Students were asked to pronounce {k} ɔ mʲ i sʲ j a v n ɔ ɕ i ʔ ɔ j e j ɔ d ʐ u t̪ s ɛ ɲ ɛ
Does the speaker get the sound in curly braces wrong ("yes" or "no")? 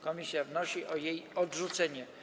no